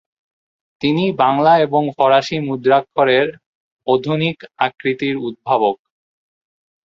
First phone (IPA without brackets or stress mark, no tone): t̪